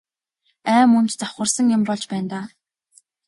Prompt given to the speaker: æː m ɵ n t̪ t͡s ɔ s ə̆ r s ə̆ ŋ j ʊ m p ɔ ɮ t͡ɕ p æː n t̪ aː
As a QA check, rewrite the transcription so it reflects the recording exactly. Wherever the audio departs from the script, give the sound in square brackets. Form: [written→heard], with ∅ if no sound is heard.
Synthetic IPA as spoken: æː m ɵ n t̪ t͡s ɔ [s→χ] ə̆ r s ə̆ ŋ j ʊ m p ɔ ɮ t͡ɕ p æː n t̪ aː